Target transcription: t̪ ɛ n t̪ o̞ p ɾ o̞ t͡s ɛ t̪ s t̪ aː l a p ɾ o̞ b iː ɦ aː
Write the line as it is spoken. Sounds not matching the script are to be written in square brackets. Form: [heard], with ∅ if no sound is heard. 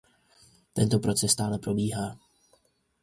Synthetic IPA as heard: t̪ ɛ n t̪ o̞ p ɾ o̞ t͡s ɛ [∅] s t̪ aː l [ɛ] p ɾ o̞ b iː ɦ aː